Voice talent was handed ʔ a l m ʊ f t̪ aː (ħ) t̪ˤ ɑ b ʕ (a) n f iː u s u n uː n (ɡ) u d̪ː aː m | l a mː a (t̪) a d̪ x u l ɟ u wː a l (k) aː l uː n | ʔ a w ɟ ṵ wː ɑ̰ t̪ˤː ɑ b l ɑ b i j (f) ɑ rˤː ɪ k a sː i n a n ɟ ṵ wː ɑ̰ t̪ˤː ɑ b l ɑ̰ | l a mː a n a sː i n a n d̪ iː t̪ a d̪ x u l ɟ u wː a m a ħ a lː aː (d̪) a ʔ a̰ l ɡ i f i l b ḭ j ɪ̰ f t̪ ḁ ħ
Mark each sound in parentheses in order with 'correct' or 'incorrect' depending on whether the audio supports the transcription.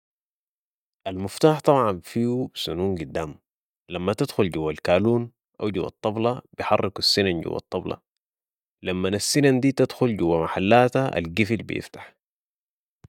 correct, incorrect: ɑ, correct, correct, correct, incorrect: ħ, incorrect: t̪

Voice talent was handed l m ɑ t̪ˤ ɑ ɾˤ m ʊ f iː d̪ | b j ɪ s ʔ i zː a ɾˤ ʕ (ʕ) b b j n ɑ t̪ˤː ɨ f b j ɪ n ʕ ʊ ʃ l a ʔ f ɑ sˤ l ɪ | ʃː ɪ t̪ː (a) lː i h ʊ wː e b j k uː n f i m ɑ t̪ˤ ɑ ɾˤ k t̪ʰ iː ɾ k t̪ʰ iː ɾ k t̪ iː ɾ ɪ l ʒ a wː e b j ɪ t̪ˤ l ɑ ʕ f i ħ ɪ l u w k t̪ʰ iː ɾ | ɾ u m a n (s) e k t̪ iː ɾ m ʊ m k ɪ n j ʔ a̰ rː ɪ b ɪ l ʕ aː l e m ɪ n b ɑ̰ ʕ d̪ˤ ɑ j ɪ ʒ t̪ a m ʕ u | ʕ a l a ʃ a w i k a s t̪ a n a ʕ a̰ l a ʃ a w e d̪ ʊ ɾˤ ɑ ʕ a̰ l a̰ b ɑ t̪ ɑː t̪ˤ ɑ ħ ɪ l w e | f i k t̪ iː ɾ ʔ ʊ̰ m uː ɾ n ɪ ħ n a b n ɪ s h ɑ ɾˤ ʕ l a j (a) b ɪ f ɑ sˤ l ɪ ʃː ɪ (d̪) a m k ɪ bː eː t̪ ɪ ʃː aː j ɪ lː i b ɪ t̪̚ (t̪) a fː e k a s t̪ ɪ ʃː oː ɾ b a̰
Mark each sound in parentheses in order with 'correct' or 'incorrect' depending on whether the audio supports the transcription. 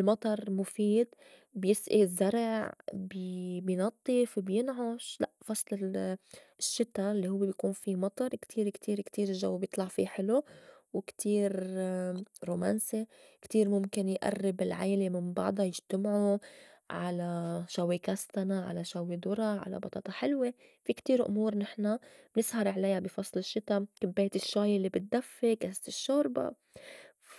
correct, correct, correct, correct, incorrect: t̪, incorrect: d̪

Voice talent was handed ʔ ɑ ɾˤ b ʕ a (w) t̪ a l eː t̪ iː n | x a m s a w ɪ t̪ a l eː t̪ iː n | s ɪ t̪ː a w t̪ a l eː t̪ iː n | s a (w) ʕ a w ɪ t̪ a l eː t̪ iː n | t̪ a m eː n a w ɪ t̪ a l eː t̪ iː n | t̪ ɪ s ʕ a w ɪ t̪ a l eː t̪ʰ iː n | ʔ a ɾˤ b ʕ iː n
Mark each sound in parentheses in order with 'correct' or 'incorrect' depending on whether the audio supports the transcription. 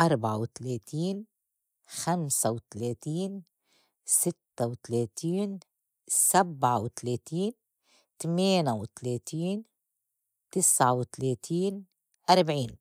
correct, incorrect: b

